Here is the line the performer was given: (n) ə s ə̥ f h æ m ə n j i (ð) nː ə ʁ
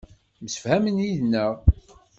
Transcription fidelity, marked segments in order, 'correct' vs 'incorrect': incorrect: m, correct

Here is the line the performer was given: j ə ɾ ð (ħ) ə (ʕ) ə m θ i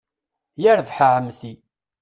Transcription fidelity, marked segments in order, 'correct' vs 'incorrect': correct, correct

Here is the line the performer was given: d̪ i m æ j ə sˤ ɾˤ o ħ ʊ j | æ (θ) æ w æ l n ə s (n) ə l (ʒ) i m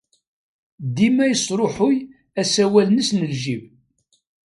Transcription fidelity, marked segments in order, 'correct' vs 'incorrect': incorrect: s, correct, correct

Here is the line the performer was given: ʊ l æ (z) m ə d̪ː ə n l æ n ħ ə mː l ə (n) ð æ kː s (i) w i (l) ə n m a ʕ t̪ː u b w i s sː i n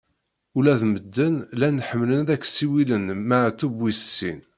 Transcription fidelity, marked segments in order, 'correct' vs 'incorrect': incorrect: ð, correct, correct, correct

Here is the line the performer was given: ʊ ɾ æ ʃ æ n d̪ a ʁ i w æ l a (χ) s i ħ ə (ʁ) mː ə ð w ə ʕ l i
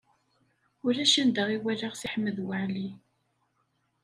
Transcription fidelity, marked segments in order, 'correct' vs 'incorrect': incorrect: ʁ, incorrect: none

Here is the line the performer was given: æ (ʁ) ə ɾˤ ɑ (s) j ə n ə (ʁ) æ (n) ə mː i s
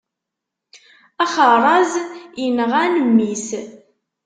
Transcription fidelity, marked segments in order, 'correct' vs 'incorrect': incorrect: χ, incorrect: z, correct, correct

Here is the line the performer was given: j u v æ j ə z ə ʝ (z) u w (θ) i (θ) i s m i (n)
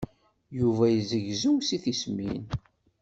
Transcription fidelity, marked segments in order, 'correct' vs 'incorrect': correct, incorrect: s, correct, correct

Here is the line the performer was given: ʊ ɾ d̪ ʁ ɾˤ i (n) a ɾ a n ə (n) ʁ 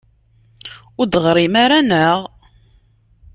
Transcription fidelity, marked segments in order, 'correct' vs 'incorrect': incorrect: m, incorrect: none

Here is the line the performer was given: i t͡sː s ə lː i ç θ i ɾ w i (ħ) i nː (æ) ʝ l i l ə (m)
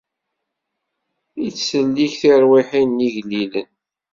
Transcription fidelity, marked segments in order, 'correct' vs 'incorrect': correct, incorrect: i, incorrect: n

